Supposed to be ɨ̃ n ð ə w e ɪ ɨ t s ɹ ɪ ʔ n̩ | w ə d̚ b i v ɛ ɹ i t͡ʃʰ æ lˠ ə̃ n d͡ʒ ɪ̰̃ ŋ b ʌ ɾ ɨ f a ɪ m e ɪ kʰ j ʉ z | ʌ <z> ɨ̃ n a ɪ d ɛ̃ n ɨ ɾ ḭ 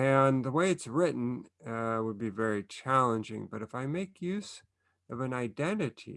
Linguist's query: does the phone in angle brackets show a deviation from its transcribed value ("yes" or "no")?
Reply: yes